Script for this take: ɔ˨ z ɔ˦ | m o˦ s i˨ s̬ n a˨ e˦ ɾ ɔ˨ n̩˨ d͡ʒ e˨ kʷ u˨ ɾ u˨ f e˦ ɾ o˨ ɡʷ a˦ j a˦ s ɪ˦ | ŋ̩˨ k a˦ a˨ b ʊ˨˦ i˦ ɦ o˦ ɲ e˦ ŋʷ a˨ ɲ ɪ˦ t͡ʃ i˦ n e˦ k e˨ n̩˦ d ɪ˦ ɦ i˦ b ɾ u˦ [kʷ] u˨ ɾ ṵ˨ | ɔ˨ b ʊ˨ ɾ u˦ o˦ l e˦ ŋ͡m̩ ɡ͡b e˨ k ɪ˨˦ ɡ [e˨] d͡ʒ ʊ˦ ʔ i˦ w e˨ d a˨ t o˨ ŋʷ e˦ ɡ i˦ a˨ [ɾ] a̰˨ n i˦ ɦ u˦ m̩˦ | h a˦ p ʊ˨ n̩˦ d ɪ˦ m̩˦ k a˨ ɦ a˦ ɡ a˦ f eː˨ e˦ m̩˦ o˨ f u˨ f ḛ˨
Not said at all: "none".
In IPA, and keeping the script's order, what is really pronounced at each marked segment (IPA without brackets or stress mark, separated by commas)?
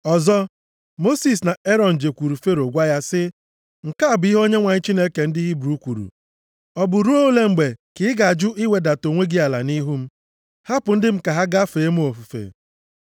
kʷ, a˨, l